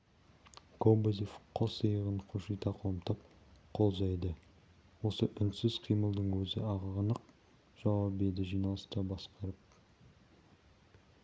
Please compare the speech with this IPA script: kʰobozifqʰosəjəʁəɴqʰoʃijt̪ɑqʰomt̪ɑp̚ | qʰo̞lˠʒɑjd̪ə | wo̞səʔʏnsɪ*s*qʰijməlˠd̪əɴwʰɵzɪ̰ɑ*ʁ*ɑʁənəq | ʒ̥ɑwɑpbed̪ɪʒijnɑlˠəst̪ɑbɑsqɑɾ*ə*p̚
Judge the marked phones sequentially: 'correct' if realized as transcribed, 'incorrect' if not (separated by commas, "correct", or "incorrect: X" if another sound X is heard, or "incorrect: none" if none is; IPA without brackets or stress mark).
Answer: incorrect: z, correct, correct